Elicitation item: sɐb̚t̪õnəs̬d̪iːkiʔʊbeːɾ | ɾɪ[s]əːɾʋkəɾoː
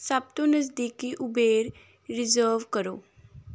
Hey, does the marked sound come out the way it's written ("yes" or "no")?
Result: no